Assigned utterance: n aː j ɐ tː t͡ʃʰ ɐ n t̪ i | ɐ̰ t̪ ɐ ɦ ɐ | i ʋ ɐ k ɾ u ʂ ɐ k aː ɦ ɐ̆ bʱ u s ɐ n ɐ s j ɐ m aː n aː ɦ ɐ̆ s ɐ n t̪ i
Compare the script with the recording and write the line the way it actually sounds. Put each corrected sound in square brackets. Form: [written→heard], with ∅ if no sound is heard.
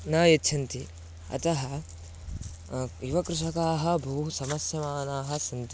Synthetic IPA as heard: n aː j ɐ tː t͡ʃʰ ɐ n t̪ i | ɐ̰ t̪ ɐ ɦ ɐ | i ʋ ɐ k ɾ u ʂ ɐ k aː ɦ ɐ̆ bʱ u s ɐ [n→m] ɐ s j ɐ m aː n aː ɦ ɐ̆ s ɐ n t̪ i